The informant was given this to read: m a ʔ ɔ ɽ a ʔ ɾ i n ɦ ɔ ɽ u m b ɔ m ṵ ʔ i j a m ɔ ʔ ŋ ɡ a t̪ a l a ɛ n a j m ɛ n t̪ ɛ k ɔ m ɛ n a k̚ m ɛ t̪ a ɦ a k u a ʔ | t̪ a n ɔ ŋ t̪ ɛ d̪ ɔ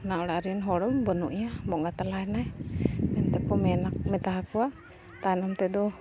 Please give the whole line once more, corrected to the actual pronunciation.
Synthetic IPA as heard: n a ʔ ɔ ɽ a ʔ ɾ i n ɦ ɔ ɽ ɔ m b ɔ n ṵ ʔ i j a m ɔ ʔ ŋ ɡ a t̪ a l a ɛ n a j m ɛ n t̪ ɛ k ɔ m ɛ n a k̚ m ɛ t̪ a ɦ a k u a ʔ | t̪ a n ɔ m t̪ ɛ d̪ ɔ

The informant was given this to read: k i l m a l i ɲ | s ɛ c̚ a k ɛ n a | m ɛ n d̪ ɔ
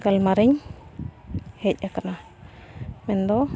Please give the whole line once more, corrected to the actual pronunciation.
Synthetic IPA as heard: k a l m a ɾ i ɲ | h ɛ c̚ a k a n a | m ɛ n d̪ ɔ

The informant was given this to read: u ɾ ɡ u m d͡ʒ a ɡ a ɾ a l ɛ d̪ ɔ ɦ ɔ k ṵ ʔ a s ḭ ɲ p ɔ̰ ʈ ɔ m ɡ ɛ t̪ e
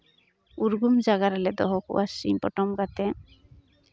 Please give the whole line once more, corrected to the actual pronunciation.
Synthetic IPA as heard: u ɾ ɡ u m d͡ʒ a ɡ a ɾ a l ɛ d̪ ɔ ɦ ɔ k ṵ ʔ a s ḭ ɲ p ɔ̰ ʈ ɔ m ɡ a t̪ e

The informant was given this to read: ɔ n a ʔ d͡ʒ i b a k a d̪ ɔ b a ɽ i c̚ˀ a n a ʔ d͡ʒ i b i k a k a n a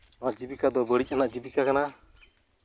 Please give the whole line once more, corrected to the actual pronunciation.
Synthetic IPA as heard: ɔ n a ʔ d͡ʒ i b i k a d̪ ɔ b ə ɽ i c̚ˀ a n a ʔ d͡ʒ i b i k a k a n a

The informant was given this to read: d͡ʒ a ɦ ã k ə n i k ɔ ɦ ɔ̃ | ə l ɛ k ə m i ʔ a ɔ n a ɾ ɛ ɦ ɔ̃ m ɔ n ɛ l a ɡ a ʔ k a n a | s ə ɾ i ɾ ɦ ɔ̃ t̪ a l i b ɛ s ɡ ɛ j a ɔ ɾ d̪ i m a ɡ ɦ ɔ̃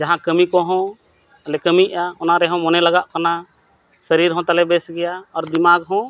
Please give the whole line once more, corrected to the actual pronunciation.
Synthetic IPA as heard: d͡ʒ a ɦ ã k ə m i k ɔ ɦ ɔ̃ | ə l ɛ k ə m i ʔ a ɔ n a ɾ ɛ ɦ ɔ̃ m ɔ n ɛ l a ɡ a ʔ k a n a | s ə ɾ i ɾ ɦ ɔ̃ t̪ a l ɛ b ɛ s ɡ ɛ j a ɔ ɾ d̪ i m a ɡ ɦ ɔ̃

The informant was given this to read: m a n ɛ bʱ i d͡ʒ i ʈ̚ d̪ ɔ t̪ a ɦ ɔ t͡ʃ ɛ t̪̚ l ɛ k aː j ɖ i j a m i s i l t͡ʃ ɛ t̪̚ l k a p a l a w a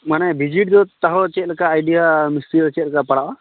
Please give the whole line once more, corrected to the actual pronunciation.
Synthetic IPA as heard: m a n ɛ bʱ i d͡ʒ i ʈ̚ d̪ ɔ t̪ a ɦ ɔ t͡ʃ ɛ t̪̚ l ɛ k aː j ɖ i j a m i s i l t͡ʃ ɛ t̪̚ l k a p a ɽ a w a

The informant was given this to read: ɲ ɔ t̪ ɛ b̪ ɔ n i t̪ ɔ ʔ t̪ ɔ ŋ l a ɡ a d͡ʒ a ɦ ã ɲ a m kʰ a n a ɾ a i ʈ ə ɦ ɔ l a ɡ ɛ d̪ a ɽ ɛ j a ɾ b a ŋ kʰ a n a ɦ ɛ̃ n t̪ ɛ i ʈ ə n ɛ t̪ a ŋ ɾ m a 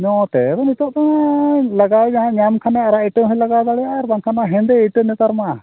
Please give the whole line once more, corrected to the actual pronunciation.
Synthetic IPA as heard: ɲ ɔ t̪ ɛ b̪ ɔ n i t̪ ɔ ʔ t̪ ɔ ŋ l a ɡ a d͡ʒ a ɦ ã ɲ a m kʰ a n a ɾ a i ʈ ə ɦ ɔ l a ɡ a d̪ a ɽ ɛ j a ɾ b a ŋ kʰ a n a ɦ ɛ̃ n d̪ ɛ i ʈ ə n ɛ t̪ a ɾ m a

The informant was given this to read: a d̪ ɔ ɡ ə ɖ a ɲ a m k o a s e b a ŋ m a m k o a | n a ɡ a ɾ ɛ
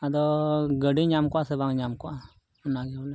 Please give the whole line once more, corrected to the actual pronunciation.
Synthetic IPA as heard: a d̪ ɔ ɡ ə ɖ i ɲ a m k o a s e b a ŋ ɲ a m k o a | n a ɡ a l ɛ

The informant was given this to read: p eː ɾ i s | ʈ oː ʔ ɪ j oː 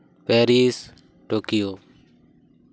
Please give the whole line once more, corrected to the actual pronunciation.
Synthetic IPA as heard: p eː ɾ iː s | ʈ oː k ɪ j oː

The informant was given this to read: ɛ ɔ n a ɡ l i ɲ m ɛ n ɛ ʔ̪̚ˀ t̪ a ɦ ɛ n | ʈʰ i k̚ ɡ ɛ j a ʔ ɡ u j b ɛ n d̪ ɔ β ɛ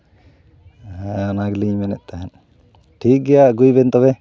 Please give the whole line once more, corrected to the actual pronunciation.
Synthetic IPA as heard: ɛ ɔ n a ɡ l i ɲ m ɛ n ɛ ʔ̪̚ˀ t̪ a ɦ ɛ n | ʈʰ i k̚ ɡ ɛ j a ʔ ɡ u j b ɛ n t̪ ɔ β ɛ

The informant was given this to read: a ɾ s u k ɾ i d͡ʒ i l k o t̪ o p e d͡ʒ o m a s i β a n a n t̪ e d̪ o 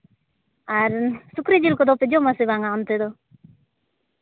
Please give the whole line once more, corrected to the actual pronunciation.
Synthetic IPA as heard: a ɾ s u k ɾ i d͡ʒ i l k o d̪ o p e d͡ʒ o m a s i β a ŋ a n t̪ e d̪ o

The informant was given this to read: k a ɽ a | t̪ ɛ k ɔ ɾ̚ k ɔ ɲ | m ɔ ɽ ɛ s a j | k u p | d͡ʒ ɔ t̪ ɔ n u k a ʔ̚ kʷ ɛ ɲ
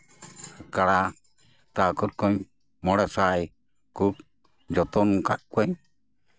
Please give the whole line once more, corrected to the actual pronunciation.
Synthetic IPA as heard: k a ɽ a | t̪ a k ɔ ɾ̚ k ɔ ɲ | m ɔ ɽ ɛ s a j | k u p | d͡ʒ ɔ t̪ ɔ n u k a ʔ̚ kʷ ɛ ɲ

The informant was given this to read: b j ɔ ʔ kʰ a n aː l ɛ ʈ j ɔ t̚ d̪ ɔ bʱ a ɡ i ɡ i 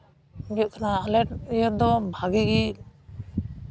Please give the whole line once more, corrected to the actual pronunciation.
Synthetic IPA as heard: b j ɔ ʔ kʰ a n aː l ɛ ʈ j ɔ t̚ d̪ ɔ bʱ a ɡ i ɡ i

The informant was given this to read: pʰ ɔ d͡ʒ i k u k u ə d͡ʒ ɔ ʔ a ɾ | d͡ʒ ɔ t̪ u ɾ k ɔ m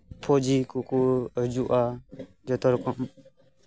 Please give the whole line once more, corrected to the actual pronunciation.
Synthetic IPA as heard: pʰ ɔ d͡ʒ i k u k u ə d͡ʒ u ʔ a | d͡ʒ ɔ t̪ ɔ ɾ k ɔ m

